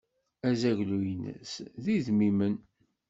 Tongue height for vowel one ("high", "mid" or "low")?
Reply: low